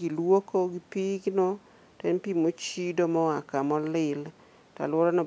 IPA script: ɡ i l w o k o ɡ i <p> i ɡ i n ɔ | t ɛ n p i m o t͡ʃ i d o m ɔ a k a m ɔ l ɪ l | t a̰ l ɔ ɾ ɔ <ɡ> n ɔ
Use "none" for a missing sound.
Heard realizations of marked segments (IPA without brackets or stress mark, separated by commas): p, none